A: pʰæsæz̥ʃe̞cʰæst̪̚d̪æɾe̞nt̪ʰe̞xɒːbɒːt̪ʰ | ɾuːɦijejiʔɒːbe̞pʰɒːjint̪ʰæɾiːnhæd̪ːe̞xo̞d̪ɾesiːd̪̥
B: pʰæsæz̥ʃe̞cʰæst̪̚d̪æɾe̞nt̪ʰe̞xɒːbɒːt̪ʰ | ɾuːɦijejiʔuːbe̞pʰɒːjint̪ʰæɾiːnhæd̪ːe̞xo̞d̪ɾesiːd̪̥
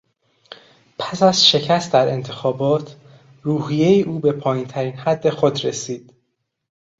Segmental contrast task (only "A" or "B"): B